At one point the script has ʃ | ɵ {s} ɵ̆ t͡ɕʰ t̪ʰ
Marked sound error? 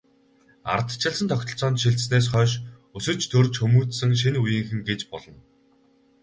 no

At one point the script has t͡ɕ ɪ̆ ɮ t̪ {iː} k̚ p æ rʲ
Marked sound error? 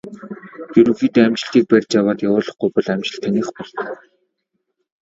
no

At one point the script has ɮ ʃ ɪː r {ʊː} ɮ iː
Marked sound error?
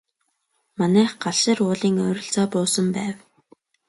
no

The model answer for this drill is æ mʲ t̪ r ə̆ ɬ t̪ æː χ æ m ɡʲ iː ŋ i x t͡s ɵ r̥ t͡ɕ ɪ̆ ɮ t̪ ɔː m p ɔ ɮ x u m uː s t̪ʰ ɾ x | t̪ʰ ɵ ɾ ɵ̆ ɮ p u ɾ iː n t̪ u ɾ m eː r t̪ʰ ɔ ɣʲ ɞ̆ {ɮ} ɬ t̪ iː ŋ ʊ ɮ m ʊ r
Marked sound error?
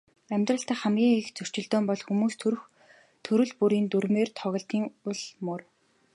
yes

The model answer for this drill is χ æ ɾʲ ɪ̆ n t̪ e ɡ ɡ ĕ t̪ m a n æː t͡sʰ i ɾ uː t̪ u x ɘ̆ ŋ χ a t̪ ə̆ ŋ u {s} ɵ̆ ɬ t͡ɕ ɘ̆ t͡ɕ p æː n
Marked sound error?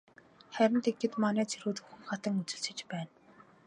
yes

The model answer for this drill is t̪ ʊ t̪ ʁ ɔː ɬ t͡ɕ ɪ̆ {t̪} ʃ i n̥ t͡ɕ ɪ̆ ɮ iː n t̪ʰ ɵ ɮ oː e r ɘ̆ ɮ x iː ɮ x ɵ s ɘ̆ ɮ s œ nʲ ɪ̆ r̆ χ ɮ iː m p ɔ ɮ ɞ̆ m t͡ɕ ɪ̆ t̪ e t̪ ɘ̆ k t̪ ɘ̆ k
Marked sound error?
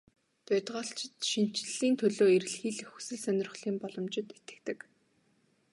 no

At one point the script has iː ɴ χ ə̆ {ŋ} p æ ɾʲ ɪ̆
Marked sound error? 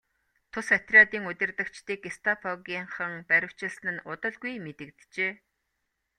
no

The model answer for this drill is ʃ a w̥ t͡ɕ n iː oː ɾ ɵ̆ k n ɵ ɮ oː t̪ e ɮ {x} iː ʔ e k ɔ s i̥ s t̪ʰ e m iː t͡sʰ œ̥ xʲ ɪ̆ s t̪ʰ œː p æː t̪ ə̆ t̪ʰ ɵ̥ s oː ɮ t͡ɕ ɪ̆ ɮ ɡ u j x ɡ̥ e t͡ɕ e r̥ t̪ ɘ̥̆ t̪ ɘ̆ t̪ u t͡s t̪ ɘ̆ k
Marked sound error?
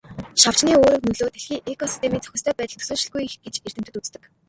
no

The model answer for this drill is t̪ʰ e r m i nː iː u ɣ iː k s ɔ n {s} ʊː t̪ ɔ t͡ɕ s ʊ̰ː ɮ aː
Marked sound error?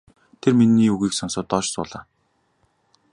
no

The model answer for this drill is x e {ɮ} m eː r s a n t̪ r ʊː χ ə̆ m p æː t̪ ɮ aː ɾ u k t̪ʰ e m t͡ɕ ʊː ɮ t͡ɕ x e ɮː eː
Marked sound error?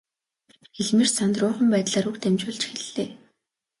no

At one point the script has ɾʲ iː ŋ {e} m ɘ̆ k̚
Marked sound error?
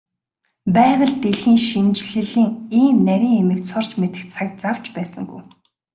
no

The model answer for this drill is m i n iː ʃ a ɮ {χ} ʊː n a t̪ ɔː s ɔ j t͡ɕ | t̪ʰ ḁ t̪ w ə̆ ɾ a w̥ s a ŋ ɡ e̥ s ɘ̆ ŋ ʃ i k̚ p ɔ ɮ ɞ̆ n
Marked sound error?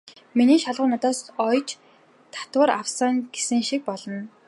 yes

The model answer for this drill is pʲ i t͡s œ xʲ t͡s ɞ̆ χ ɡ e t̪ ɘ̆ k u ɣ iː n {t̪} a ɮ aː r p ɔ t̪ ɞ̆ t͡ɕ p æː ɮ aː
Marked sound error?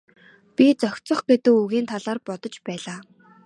yes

